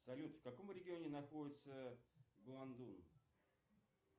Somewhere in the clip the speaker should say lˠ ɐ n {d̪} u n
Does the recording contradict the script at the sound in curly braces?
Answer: no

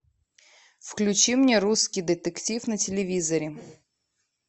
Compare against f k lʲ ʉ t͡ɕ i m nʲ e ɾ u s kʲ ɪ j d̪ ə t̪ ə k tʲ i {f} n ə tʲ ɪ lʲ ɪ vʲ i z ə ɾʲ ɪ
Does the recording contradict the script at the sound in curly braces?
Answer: no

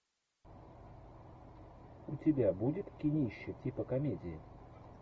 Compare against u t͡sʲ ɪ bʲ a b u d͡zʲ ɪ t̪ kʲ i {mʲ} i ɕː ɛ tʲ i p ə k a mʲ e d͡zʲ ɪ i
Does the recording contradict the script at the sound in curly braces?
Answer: yes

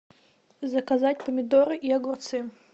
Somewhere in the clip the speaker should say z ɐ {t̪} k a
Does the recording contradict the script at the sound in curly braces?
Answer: yes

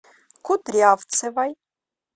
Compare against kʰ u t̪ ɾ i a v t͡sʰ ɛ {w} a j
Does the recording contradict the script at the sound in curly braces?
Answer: yes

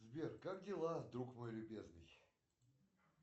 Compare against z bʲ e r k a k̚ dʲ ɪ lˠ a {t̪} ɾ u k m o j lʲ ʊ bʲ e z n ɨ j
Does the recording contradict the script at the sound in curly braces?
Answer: yes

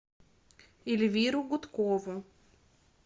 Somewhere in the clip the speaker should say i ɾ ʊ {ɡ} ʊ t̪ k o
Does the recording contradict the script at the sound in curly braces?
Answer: no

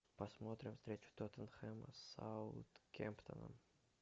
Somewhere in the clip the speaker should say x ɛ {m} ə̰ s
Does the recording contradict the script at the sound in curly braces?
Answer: no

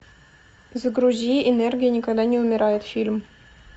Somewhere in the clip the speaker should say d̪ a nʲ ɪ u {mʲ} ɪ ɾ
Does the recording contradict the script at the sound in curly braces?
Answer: no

